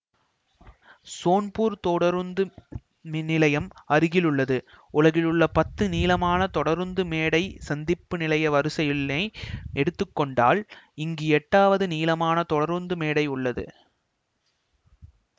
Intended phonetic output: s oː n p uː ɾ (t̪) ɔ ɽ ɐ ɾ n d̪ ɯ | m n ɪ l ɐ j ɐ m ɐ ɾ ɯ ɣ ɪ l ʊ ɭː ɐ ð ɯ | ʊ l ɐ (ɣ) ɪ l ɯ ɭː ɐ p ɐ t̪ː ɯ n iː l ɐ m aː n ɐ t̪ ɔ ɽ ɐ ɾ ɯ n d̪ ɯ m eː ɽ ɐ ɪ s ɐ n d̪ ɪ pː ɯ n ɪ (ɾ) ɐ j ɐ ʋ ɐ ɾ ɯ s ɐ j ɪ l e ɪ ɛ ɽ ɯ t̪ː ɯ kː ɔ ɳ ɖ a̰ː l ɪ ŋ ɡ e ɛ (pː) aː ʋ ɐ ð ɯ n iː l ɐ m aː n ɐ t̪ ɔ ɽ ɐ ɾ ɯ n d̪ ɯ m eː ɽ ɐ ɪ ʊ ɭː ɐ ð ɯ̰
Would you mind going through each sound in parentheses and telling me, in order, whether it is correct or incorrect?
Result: correct, correct, incorrect: l, incorrect: ʈː

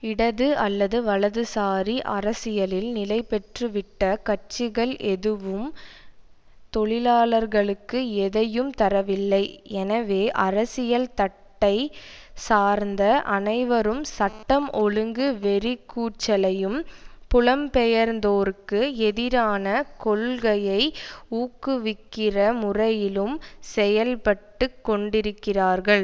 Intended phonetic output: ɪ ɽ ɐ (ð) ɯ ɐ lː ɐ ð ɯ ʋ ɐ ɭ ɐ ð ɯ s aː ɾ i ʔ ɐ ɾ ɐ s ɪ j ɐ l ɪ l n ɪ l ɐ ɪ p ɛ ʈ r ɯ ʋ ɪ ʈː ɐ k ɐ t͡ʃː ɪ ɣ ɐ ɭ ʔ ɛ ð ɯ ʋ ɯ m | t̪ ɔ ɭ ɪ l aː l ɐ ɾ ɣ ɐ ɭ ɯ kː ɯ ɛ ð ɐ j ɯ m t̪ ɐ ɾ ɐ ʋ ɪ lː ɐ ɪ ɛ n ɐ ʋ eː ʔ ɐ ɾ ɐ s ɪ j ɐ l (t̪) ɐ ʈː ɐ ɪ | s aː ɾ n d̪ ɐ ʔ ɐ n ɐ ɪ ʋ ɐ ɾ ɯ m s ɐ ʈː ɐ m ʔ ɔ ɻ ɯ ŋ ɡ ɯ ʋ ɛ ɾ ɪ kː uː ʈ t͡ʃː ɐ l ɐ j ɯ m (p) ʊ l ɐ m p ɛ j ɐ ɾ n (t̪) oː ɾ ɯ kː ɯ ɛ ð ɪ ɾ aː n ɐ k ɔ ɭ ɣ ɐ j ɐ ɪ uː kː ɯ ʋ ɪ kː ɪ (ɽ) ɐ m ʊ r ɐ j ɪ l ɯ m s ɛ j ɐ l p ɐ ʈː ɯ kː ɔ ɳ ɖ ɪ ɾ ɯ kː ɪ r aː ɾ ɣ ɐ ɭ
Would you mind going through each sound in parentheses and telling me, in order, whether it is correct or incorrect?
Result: correct, correct, correct, incorrect: d̪, incorrect: r

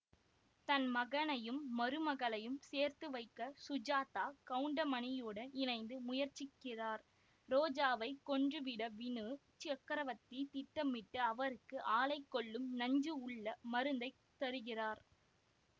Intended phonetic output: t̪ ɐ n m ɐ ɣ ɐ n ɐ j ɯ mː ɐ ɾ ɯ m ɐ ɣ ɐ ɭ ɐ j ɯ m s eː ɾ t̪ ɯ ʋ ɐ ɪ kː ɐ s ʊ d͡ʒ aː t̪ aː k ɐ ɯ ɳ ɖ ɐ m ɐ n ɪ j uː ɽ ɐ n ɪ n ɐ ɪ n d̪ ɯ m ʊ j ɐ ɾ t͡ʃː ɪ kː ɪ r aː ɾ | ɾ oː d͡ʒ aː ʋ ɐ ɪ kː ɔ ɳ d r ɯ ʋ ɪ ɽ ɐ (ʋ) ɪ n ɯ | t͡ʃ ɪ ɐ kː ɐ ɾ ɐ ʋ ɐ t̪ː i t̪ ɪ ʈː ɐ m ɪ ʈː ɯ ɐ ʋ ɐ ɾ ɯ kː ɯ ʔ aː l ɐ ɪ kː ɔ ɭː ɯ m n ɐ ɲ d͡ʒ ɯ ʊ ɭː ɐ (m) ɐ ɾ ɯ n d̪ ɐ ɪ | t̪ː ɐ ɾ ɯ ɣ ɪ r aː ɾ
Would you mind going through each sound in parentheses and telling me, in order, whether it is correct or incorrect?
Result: correct, correct

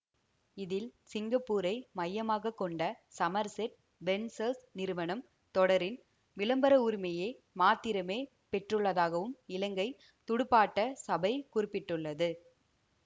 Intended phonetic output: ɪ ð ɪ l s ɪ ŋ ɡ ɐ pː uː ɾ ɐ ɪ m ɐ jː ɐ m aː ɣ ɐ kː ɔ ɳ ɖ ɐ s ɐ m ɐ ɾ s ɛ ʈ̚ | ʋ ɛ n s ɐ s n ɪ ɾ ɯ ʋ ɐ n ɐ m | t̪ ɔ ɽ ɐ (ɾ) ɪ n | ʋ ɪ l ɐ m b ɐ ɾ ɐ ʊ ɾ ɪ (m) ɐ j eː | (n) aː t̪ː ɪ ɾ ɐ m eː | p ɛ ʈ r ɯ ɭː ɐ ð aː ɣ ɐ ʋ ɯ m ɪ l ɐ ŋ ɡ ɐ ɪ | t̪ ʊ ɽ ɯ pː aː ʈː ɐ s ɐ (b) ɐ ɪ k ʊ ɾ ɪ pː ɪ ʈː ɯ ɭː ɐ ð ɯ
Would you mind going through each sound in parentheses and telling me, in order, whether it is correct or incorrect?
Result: correct, correct, incorrect: m, correct

